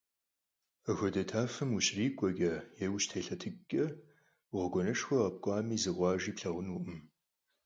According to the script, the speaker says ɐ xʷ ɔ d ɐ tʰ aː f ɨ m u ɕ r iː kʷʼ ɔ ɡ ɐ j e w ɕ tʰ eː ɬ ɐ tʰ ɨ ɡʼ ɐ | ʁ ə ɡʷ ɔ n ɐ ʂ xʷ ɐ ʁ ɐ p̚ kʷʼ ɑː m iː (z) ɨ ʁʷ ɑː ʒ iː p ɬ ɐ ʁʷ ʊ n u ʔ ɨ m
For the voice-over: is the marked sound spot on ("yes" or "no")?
yes